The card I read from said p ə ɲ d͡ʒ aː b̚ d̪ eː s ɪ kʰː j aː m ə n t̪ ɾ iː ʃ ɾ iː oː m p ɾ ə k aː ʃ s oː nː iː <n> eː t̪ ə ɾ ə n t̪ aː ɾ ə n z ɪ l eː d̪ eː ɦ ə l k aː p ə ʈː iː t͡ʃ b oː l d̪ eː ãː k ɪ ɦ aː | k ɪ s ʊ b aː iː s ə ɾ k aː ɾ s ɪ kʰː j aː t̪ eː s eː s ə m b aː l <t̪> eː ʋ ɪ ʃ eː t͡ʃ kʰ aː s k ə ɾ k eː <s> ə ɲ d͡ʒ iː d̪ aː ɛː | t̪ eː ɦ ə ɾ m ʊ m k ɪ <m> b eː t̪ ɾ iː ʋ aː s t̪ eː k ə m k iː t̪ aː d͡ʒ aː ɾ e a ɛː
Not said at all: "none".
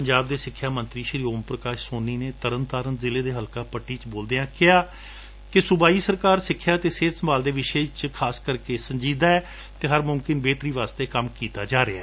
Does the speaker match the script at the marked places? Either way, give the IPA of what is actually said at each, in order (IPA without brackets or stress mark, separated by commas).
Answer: n, d̪, s, n